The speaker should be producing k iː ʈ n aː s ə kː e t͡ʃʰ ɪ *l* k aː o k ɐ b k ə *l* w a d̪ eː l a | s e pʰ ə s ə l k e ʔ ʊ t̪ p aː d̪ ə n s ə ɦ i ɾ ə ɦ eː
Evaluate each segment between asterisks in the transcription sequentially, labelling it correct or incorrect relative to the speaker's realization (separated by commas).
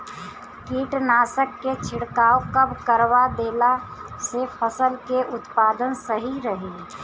incorrect, incorrect